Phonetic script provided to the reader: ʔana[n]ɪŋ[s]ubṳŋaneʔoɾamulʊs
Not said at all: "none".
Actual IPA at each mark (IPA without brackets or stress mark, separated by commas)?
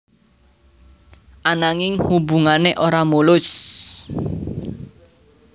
ŋ, h